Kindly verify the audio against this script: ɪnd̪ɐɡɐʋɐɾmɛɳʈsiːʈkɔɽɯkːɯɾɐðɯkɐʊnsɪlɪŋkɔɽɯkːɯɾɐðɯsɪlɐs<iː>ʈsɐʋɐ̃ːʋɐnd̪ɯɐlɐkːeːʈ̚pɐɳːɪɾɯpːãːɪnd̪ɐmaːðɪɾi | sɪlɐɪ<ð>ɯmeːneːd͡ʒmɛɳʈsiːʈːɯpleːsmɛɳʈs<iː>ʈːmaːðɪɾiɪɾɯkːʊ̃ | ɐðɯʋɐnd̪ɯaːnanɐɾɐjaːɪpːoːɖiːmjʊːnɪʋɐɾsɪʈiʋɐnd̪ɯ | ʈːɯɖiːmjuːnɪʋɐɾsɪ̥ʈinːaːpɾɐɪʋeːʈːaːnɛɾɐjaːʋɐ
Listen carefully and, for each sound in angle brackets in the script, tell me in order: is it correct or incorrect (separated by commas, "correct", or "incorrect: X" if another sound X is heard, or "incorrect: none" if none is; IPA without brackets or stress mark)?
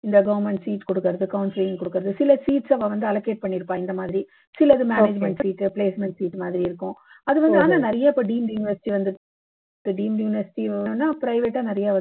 correct, correct, correct